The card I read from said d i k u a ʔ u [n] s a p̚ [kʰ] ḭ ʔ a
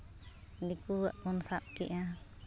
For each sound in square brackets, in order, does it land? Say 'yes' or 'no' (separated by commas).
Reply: yes, no